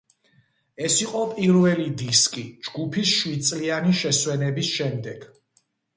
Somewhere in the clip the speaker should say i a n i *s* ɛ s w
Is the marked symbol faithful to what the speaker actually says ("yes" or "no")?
no